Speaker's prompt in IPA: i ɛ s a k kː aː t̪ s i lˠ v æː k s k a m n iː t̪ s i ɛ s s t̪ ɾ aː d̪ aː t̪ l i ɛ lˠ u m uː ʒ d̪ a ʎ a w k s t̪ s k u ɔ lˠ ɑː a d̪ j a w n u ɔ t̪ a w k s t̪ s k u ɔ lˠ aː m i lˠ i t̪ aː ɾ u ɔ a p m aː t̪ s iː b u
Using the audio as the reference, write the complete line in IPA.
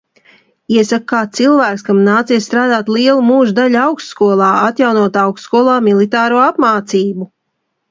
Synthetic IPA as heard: i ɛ s a k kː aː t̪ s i lˠ v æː k s k a m n aː t̪ s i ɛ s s t̪ ɾ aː d̪ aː t̪ l i ɛ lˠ u m uː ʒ d̪ a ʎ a w k s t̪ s k u ɔ lˠ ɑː a t̪ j a w n u ɔ t̪ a w k s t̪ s k u ɔ lˠ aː m i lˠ i t̪ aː ɾ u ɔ a p m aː t̪ s iː b u